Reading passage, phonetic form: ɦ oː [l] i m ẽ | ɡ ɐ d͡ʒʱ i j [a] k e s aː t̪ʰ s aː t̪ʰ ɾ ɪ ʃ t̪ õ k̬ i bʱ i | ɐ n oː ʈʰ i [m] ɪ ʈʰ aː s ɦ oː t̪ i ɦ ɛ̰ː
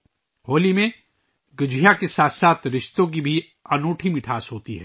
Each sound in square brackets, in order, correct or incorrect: correct, correct, correct

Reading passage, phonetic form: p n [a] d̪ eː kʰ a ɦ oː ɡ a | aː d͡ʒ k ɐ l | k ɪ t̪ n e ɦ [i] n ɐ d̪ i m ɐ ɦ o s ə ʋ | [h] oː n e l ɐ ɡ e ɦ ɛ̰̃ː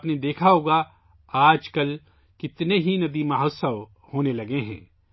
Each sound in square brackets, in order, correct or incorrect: incorrect, correct, correct

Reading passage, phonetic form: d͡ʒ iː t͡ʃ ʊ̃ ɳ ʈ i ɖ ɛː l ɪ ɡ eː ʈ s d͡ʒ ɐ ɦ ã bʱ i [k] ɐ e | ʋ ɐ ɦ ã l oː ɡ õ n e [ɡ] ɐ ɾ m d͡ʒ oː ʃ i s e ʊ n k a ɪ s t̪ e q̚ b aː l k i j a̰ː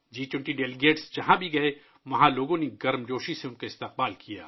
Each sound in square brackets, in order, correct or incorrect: incorrect, correct

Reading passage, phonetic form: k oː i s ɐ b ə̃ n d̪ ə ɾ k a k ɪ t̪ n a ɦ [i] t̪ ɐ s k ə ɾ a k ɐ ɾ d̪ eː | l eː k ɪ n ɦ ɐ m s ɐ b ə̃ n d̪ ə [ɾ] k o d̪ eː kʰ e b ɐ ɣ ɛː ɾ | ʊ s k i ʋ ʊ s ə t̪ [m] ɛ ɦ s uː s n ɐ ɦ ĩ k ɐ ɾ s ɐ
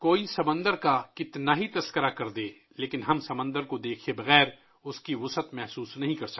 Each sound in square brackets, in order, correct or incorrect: correct, correct, correct

